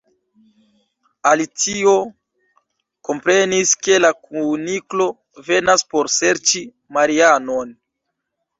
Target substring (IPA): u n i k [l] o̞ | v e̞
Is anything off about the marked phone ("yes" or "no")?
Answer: no